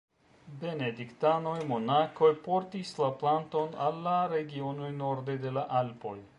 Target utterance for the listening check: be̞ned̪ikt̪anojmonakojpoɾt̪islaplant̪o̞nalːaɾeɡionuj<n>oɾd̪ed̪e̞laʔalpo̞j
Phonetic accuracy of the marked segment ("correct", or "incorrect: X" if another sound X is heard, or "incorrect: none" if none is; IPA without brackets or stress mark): correct